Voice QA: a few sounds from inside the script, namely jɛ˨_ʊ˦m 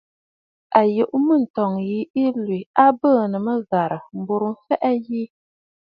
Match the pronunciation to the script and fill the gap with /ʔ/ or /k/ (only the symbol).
ʔ